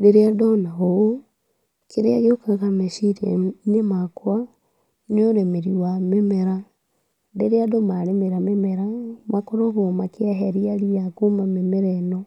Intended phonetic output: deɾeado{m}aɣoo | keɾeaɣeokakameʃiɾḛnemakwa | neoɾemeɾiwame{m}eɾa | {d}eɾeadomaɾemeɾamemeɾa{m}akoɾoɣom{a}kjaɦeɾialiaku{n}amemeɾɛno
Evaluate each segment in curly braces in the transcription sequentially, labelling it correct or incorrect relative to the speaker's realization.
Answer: incorrect: n, correct, correct, correct, correct, incorrect: m

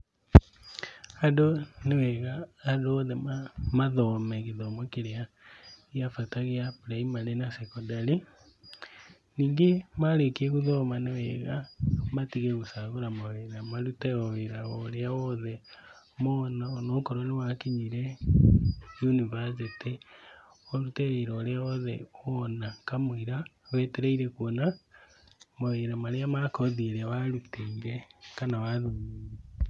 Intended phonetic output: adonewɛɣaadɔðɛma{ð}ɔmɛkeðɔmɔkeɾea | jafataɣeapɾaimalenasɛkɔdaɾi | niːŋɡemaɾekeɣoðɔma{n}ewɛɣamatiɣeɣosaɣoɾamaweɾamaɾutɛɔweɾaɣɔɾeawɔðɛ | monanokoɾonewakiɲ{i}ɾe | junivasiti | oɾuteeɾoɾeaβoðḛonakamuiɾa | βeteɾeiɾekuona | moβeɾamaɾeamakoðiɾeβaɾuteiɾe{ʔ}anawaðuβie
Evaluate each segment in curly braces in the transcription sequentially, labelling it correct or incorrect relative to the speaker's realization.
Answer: correct, correct, correct, incorrect: k

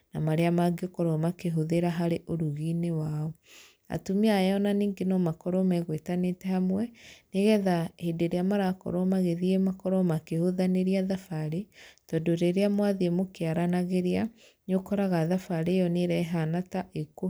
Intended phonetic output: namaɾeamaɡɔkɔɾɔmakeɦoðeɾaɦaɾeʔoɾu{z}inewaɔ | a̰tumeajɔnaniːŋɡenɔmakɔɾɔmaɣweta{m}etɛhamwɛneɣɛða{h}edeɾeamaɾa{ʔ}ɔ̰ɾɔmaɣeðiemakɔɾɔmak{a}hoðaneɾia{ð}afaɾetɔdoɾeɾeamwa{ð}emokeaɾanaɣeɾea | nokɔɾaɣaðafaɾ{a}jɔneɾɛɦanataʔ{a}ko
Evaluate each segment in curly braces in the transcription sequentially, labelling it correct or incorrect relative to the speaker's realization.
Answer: incorrect: ɣ, incorrect: n, correct, incorrect: k, incorrect: e, correct, correct, incorrect: e, incorrect: e

